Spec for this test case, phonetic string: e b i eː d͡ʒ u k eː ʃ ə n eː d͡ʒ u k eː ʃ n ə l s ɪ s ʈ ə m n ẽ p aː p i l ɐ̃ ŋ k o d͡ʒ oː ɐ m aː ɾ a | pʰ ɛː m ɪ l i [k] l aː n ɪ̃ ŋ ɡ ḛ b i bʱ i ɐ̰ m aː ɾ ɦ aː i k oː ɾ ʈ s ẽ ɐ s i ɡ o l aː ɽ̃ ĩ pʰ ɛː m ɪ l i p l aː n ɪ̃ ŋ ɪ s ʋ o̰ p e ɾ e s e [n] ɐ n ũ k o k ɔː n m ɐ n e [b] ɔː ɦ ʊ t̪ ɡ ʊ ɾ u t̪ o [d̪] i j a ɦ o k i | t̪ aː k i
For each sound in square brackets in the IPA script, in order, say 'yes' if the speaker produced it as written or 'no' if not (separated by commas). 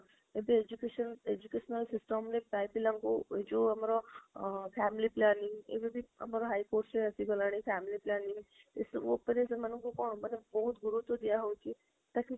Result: no, no, yes, yes